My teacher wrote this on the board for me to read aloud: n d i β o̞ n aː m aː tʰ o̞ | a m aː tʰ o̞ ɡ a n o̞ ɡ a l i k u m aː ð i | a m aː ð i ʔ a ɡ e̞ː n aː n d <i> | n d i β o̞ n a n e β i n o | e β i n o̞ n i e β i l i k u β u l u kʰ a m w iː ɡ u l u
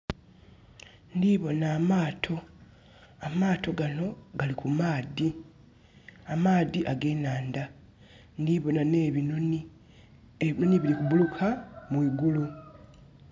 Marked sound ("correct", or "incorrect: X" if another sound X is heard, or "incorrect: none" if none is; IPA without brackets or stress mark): incorrect: a